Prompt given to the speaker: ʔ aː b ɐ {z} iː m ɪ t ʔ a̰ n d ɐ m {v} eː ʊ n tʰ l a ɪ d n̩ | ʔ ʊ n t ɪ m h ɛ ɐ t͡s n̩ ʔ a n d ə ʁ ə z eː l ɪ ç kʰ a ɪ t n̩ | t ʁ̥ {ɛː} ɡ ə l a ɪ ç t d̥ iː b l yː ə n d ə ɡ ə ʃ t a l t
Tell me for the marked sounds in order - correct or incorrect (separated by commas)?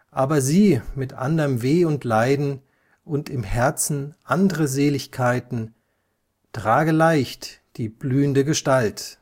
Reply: correct, correct, incorrect